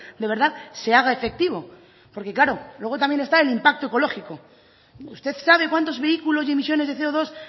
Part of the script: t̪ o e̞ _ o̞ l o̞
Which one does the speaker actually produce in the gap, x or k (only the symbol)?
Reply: k